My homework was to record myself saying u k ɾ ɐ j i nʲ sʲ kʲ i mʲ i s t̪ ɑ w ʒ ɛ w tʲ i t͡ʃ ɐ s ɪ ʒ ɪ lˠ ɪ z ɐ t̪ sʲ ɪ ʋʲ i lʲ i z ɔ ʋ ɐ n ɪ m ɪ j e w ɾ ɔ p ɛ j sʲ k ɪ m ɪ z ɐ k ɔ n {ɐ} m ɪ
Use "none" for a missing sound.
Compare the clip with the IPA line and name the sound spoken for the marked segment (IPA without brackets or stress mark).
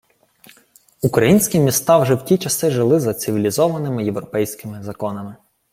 ɐ